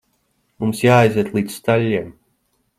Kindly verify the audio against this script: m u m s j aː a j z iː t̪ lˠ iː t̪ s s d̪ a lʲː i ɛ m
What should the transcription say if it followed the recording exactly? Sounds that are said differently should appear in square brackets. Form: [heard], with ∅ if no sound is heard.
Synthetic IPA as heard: m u m s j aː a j z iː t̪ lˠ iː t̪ s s [t̪] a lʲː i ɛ m